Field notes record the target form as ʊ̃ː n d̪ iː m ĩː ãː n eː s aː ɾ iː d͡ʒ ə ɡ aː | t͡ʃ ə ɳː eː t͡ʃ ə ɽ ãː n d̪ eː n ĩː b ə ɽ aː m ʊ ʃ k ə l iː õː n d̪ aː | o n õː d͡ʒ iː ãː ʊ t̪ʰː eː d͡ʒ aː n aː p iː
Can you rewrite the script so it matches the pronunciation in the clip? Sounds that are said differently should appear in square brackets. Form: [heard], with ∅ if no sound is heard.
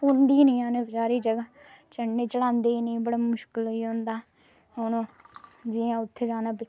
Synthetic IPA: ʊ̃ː n d̪ iː [n] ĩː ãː n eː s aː ɾ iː d͡ʒ ə ɡ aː | t͡ʃ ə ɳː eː t͡ʃ ə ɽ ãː n d̪ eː n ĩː b ə ɽ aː m ʊ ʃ k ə l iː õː n d̪ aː | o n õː d͡ʒ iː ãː ʊ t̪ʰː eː d͡ʒ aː n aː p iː